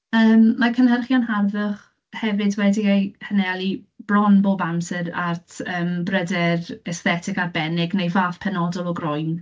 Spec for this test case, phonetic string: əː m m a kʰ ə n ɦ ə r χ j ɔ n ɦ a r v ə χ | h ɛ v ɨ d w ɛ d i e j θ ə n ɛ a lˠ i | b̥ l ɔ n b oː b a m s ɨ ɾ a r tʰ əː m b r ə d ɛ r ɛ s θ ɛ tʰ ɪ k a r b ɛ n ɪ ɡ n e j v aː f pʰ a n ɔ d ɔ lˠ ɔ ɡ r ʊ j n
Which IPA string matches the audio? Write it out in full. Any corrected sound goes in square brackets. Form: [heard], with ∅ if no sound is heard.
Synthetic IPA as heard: əː m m a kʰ ə n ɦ ə r χ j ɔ n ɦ a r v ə χ | h ɛ v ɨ d w ɛ d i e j [h] ə n ɛ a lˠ i | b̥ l ɔ n b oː b a m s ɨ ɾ a r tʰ əː m b r ə d ɛ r ɛ s θ ɛ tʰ ɪ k a r b ɛ n ɪ ɡ n e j v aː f pʰ [ɛ] n ɔ d ɔ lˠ ɔ ɡ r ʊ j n